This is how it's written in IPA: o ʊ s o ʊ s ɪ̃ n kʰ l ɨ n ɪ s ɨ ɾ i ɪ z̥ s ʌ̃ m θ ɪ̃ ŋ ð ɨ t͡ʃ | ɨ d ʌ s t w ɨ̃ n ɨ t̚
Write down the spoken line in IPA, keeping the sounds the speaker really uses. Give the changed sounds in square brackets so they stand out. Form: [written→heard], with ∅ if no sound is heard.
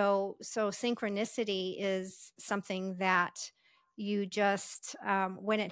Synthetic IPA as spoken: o ʊ s o ʊ s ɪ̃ [n→ŋ] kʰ [l→ɹ] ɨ n ɪ s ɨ ɾ i ɪ z̥ s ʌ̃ m θ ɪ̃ ŋ ð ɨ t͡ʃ | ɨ [d→d͡ʒ] ʌ s t w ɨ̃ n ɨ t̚